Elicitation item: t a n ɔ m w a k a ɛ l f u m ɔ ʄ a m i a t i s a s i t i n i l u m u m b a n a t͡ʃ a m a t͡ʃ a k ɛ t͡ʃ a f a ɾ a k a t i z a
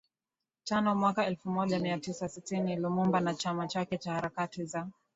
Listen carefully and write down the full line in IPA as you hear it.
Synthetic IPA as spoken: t a n ɔ m w a k a ɛ l f u m ɔ ʄ a m i a t i s a s i t i n i l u m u m b a n a t͡ʃ a m a t͡ʃ a k ɛ t͡ʃ a h a ɾ a k a t i z a